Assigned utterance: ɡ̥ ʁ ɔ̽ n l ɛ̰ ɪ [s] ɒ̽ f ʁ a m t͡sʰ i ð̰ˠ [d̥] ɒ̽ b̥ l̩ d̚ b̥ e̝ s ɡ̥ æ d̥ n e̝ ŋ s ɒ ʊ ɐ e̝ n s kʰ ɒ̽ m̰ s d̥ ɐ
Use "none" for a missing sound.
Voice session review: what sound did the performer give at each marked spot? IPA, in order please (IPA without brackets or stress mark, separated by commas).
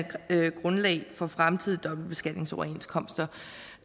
f, d̥